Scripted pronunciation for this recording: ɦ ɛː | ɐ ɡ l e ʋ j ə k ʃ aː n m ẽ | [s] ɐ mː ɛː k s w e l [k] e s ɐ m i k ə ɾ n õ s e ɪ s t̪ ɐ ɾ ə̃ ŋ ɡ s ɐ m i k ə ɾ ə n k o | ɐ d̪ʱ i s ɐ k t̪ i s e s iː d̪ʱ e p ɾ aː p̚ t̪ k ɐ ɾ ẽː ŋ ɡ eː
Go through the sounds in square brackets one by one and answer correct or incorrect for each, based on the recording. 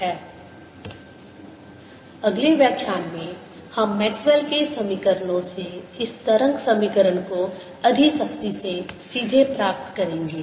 incorrect: h, correct

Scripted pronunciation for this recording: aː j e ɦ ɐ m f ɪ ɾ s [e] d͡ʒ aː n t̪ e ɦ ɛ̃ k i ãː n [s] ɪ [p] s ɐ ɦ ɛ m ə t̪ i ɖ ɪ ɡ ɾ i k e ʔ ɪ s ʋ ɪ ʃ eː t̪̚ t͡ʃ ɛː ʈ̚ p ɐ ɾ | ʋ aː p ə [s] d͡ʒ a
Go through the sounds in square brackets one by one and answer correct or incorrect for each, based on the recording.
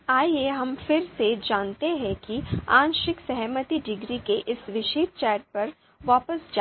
correct, incorrect: ʃ, incorrect: k, correct

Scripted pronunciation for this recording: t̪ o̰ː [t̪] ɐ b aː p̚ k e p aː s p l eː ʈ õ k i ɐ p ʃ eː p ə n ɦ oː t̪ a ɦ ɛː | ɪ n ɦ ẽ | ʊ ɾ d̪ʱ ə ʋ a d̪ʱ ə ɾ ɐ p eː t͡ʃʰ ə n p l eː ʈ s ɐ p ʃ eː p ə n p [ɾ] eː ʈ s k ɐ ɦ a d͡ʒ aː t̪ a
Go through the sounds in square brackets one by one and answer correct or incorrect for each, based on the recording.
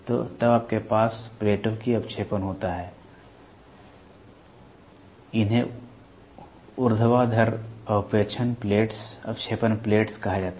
correct, incorrect: l

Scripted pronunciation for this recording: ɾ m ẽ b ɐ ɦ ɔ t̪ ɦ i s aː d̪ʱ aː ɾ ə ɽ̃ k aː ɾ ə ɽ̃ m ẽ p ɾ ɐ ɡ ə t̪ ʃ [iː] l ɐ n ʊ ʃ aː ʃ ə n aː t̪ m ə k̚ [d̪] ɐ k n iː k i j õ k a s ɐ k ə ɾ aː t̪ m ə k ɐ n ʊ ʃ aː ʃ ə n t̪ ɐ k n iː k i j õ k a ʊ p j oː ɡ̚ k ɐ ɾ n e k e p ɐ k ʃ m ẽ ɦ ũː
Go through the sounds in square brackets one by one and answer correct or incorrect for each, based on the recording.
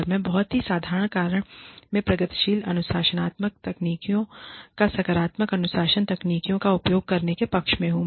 correct, incorrect: t̪

